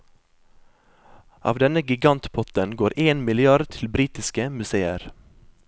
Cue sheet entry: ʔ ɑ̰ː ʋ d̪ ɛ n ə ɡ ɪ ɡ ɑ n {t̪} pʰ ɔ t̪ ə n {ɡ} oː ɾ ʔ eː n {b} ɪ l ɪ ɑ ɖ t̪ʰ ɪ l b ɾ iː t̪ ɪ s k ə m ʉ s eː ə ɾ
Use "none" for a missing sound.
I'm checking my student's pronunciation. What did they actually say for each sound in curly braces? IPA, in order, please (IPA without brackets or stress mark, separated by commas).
t̪, ɡ, m